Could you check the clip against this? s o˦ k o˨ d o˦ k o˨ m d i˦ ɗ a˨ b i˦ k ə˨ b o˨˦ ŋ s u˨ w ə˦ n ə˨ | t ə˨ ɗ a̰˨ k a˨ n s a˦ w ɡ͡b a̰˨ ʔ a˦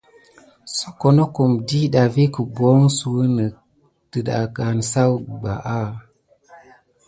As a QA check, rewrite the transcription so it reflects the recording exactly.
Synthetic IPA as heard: s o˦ k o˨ n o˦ k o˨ m d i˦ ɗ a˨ v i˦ k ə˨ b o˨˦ ŋ s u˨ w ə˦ n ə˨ | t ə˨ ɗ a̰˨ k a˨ n s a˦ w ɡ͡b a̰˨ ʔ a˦